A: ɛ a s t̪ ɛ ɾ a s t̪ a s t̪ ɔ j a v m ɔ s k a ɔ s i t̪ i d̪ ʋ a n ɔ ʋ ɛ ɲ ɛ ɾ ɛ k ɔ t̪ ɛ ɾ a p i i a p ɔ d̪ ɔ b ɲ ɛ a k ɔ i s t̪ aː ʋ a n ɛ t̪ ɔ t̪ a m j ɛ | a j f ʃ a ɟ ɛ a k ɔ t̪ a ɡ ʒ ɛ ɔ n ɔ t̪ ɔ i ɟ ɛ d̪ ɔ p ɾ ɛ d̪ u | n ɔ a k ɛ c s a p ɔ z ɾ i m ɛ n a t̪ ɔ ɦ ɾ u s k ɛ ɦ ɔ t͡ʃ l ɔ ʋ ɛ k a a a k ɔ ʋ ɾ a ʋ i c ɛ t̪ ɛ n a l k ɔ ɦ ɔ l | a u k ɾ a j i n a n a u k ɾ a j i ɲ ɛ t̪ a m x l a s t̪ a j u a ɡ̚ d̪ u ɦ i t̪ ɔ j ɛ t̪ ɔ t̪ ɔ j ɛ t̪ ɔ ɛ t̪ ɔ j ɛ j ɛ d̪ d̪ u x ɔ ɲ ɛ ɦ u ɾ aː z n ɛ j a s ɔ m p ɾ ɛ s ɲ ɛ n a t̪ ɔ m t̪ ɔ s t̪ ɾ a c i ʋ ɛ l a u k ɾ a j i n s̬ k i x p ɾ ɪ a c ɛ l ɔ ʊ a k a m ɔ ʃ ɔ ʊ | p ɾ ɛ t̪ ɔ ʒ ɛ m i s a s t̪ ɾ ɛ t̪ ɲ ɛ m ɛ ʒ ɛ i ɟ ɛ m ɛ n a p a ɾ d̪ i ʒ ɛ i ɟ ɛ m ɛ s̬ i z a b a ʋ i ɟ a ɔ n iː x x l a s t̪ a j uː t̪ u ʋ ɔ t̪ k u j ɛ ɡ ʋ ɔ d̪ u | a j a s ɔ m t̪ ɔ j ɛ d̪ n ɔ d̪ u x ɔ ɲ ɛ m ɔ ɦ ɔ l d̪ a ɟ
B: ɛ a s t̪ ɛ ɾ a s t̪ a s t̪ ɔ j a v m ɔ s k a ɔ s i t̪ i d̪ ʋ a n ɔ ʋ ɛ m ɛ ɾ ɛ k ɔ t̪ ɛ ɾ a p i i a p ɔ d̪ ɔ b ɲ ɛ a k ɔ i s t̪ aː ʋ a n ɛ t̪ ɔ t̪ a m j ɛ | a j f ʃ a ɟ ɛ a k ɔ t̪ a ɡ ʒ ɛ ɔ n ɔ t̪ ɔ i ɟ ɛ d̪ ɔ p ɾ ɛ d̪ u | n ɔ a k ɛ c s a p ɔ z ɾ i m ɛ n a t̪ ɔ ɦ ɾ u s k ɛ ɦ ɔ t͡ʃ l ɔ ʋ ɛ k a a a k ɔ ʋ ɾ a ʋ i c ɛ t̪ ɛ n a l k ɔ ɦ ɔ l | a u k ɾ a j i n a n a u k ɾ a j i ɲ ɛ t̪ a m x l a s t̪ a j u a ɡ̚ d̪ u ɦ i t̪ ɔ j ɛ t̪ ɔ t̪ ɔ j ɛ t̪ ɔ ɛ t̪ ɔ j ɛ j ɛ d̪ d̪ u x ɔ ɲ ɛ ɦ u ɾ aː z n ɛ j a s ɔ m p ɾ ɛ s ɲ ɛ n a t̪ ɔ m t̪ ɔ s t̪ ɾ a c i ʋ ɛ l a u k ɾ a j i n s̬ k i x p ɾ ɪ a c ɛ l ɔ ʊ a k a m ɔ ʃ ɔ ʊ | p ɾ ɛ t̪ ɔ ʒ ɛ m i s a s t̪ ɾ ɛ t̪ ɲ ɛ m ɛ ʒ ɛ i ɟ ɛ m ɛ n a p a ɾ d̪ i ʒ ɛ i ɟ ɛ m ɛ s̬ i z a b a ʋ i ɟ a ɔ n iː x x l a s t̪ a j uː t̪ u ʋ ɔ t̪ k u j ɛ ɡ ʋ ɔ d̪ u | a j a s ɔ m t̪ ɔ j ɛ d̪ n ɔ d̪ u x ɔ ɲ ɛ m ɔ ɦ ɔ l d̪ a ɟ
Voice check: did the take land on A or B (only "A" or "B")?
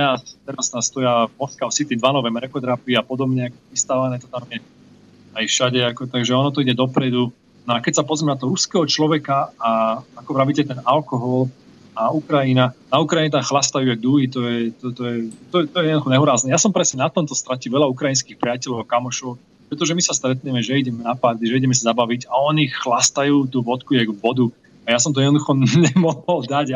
B